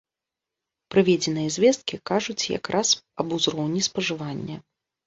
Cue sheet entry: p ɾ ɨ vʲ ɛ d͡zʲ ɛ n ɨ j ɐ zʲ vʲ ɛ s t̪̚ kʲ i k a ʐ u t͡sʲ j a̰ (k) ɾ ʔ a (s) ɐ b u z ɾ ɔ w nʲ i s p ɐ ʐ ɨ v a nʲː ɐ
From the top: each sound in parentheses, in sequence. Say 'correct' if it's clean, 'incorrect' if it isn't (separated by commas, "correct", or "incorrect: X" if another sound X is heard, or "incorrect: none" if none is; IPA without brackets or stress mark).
correct, correct